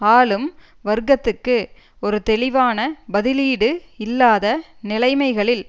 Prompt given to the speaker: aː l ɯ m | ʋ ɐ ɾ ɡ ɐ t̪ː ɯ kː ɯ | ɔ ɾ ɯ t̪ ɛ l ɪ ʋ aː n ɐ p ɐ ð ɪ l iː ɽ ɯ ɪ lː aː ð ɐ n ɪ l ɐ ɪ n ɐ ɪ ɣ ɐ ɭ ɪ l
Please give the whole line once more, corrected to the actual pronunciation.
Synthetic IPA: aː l ɯ m | ʋ ɐ ɾ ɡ ɐ t̪ː ɯ kː ɯ | ɔ ɾ ɯ t̪ ɛ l ɪ ʋ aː n ɐ b ɐ ð ɪ l iː ɽ ɯ ɪ lː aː ð ɐ n ɪ l ɐ ɪ m ɐ ɪ ɣ ɐ ɭ ɪ l